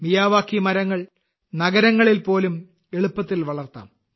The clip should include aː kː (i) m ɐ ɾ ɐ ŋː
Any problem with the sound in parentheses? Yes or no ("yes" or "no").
no